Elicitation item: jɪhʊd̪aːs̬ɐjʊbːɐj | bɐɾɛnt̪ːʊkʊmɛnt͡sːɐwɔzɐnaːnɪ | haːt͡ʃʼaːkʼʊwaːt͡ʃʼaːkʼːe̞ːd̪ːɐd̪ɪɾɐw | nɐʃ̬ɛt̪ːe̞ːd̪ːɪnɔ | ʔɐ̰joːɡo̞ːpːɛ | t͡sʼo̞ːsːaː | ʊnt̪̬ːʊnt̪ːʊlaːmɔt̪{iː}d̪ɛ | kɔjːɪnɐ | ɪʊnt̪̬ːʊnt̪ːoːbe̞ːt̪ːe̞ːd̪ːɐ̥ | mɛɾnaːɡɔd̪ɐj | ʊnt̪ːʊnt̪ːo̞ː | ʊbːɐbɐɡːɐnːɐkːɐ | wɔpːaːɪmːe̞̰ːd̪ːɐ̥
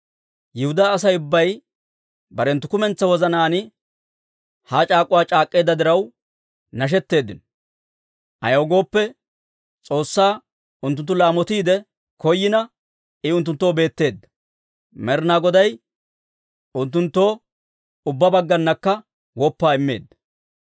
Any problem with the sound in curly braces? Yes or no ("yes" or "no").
no